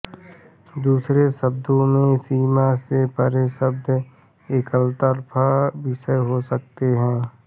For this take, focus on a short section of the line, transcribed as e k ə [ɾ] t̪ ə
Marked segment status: incorrect: l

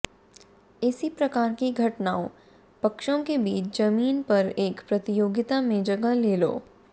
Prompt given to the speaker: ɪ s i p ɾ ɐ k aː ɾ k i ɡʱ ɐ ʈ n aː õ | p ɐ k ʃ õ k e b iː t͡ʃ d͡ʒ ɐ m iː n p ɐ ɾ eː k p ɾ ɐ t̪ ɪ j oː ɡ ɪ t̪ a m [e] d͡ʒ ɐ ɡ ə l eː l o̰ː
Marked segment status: incorrect: ẽ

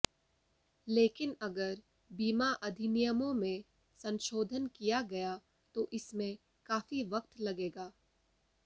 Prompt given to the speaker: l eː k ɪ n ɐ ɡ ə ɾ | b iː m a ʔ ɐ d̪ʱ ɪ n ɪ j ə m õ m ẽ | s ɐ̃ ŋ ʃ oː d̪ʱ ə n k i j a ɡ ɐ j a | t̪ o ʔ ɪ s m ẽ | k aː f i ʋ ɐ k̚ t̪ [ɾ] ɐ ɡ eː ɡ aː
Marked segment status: incorrect: l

